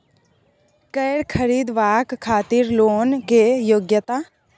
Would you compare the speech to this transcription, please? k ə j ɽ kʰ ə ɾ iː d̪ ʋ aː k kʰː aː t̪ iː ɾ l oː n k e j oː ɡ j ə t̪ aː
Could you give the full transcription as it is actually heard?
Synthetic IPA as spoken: k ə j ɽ kʰ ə ɾ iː d̪ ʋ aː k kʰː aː t̪ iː ɾ l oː n k e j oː ɡ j ə t̪ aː